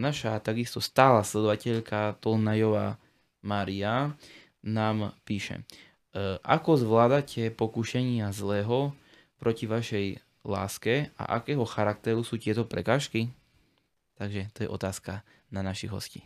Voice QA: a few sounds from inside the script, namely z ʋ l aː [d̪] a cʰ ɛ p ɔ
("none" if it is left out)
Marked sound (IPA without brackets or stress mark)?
d̪